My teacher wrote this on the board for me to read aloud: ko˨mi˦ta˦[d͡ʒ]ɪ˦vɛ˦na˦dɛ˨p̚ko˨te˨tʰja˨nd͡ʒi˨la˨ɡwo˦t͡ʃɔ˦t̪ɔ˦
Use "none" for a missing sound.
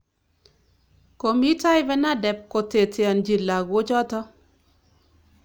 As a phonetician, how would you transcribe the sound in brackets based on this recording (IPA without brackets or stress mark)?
none